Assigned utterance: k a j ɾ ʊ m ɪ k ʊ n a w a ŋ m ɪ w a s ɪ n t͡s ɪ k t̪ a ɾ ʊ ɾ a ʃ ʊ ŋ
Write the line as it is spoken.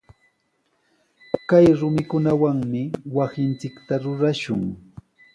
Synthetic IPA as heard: k a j ɾ ʊ m ɪ k ʊ n a w a ŋ m ɪ w a s ɪ n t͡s ɪ k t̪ a ɾ ʊ ɾ a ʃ ʊ ŋ